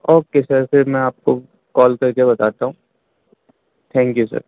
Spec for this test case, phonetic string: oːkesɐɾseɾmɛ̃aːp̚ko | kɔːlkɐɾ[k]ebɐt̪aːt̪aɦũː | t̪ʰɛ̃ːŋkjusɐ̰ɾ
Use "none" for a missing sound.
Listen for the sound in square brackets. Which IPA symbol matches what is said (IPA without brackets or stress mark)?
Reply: k